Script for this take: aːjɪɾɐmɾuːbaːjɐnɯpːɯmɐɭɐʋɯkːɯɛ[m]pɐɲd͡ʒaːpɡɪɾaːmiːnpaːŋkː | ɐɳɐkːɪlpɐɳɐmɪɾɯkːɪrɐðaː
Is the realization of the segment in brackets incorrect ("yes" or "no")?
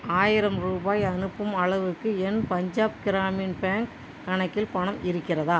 yes